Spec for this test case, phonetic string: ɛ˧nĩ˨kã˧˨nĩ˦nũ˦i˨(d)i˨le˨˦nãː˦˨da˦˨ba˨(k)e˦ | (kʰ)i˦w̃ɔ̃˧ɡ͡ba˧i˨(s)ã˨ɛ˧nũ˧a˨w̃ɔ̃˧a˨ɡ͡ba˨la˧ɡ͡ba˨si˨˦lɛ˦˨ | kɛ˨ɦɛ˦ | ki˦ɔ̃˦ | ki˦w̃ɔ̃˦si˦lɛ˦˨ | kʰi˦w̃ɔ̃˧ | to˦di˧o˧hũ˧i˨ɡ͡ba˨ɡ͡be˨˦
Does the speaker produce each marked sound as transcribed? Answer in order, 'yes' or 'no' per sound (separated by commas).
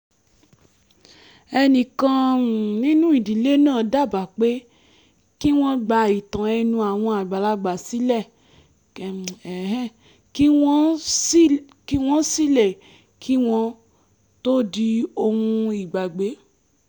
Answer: yes, no, no, no